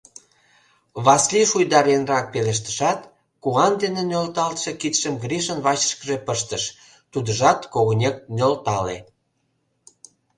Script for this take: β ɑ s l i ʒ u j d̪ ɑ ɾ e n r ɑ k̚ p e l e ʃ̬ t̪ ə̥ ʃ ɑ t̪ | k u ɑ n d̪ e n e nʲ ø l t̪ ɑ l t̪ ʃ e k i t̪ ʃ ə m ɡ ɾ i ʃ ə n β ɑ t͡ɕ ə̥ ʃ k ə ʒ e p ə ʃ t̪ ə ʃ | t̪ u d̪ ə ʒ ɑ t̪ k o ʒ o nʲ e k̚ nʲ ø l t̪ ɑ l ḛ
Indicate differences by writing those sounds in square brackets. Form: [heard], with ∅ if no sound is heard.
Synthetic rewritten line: β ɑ s l i [ʃ] u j d̪ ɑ ɾ e n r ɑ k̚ p e l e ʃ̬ t̪ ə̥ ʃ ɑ t̪ | k u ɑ n d̪ e n e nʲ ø l t̪ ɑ l t̪ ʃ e k i t̪ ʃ ə m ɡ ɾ i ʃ ə n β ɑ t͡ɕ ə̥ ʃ k ə ʒ e p ə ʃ t̪ ə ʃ | t̪ u d̪ ə ʒ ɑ t̪ k o [ɣ] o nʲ e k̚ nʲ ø l t̪ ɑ l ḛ